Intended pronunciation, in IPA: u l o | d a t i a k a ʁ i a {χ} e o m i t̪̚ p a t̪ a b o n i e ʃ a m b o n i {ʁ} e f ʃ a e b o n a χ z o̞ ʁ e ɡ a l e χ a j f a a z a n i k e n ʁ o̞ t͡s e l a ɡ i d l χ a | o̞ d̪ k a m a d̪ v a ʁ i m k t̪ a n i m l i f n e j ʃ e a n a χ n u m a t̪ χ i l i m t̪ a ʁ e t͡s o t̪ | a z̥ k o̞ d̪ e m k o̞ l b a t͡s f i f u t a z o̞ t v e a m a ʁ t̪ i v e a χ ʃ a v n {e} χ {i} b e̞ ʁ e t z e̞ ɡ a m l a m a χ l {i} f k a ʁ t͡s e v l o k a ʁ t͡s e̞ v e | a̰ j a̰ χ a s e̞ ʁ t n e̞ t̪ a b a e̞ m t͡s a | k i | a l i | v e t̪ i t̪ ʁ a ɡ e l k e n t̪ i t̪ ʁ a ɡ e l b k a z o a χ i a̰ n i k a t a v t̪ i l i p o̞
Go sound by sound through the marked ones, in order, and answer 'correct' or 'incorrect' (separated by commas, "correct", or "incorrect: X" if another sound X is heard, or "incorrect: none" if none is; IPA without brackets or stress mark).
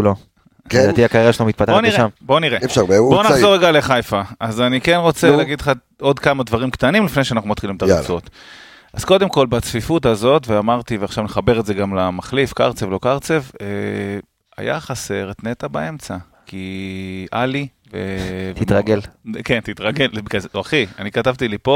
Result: incorrect: ʃ, correct, correct, incorrect: a, correct